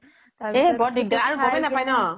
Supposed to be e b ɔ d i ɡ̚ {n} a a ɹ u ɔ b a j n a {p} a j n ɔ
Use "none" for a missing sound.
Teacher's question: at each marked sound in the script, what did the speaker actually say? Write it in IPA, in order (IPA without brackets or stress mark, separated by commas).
d, p